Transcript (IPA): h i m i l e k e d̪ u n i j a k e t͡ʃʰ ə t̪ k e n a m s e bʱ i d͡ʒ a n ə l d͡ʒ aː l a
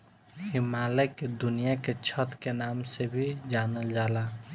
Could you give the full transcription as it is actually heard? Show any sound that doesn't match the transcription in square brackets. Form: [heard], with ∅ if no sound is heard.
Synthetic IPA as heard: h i m [a] l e k e d̪ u n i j a k e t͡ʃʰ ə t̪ k e n a m s e bʱ i d͡ʒ a n ə l d͡ʒ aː l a